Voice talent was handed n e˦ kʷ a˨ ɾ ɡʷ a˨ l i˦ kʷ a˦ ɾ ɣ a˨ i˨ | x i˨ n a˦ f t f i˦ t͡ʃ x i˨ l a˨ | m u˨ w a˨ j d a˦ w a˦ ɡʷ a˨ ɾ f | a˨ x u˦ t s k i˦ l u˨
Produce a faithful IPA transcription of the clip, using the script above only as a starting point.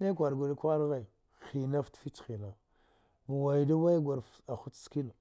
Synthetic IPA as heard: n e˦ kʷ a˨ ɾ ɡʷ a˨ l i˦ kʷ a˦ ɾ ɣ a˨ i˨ | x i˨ n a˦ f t f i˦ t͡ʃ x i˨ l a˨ | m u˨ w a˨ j d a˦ w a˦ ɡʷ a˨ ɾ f | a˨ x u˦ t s k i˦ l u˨